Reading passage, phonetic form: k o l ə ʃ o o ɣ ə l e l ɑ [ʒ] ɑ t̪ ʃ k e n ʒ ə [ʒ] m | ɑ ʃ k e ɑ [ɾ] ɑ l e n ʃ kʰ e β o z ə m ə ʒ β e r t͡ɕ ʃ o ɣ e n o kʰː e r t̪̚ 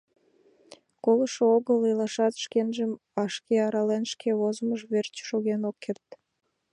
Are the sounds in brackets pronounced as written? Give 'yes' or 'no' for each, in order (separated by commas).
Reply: no, no, yes